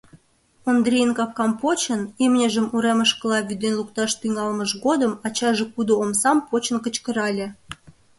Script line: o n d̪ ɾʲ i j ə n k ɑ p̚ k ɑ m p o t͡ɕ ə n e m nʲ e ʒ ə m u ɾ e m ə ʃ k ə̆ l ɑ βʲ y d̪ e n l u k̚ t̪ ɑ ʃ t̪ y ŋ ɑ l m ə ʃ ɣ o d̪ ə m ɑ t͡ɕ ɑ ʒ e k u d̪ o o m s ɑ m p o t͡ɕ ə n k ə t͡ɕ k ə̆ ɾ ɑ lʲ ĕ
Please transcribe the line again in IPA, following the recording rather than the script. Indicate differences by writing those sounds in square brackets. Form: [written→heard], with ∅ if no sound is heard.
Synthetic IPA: o n d̪ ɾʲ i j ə n k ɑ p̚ k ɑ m p o t͡ɕ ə n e m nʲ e ʒ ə m u ɾ e m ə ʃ k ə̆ l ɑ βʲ y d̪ e n l u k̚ t̪ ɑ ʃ t̪ y ŋ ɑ l m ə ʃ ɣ o d̪ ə m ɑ t͡ɕ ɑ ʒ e k u d̪ o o m s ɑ m p o t͡ɕ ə n k ə t͡ɕ k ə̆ ɾ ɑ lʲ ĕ